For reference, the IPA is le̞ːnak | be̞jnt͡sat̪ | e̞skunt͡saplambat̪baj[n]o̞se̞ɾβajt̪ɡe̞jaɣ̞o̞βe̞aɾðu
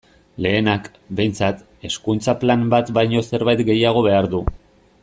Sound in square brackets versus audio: incorrect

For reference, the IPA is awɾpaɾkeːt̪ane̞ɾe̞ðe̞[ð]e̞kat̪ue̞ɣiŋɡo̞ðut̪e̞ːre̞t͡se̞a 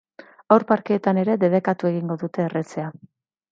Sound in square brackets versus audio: correct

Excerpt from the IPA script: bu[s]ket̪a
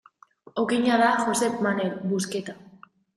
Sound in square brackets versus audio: correct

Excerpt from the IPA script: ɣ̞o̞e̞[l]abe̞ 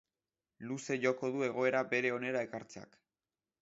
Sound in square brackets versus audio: incorrect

